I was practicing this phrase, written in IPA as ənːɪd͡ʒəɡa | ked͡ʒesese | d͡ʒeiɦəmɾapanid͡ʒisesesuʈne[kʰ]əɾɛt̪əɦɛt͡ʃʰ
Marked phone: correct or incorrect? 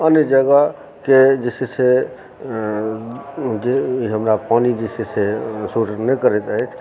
incorrect